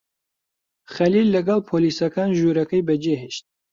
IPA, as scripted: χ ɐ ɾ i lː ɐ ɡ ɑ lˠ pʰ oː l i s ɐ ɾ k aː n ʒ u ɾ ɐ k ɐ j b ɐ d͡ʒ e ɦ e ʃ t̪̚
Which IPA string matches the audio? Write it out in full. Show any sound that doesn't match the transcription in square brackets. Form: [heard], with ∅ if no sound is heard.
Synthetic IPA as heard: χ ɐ [l] i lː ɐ ɡ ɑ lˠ pʰ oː l i s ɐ [∅] k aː n ʒ u ɾ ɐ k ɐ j b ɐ d͡ʒ e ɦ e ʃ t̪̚